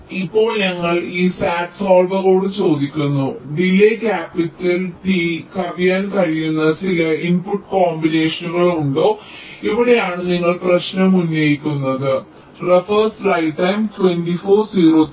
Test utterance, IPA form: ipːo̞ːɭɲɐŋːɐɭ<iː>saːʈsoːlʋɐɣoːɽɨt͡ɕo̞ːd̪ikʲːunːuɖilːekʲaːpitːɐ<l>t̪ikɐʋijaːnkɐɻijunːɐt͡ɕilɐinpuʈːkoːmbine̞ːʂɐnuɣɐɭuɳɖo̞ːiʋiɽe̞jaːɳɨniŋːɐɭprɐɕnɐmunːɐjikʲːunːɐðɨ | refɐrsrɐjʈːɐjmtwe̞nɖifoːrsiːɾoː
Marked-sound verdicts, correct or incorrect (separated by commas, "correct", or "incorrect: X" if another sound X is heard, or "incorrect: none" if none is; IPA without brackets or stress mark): correct, correct